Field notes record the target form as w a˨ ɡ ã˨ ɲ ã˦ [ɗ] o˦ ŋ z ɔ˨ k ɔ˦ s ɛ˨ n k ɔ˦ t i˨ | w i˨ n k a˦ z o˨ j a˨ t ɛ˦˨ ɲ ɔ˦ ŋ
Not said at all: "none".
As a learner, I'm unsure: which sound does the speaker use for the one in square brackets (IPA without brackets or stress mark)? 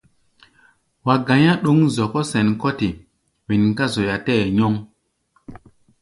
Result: ɗ